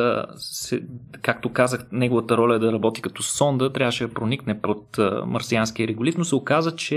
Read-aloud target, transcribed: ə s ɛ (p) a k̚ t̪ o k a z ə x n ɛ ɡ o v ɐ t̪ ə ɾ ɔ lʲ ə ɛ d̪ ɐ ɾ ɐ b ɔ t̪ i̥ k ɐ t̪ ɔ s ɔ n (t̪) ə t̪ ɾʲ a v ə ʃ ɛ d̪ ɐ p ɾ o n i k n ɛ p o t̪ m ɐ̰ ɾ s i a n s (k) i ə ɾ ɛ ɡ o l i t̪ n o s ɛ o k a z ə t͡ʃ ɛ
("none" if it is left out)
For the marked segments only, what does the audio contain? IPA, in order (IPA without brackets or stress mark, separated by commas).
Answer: k, d̪, k